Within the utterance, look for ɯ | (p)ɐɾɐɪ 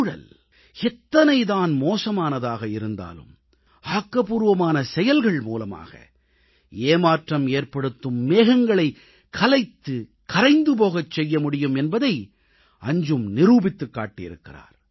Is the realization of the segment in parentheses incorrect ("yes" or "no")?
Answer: yes